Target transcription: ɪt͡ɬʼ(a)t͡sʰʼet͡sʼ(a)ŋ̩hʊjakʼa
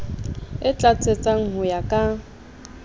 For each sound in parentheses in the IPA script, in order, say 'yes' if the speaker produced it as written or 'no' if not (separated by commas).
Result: yes, yes